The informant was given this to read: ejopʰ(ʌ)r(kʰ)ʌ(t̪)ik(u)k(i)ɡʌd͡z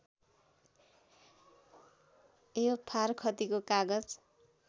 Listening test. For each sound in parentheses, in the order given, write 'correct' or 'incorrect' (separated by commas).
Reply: incorrect, correct, correct, incorrect, incorrect